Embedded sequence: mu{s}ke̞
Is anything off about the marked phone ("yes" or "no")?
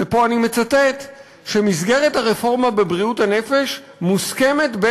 no